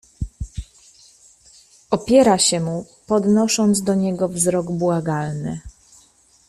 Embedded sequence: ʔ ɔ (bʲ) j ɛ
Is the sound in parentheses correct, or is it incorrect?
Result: incorrect